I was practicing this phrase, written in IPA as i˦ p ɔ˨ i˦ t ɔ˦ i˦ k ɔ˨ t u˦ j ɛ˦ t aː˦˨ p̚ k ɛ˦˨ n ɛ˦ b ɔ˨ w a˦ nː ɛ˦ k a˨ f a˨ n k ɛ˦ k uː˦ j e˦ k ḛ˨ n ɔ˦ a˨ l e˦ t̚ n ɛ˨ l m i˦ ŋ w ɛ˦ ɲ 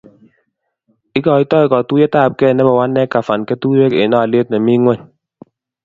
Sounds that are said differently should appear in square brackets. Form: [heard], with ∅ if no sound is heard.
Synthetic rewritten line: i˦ [k] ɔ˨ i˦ t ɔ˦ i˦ k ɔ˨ t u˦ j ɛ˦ t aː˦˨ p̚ k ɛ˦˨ n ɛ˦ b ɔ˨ w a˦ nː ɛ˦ k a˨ f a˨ n k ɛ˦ [t] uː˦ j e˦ k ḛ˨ n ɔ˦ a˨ l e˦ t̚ n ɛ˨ [∅] m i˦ ŋ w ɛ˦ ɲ